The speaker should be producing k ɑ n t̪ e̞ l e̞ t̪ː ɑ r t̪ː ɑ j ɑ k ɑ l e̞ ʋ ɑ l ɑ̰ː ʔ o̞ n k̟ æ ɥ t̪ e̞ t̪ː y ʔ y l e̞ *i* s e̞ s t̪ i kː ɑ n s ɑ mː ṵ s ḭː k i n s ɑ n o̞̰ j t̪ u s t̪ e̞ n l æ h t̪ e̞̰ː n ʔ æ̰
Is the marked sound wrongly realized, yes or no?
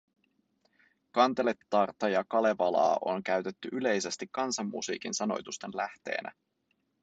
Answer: yes